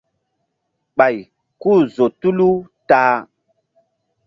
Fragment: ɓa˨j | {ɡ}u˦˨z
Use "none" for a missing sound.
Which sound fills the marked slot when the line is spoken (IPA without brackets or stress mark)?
k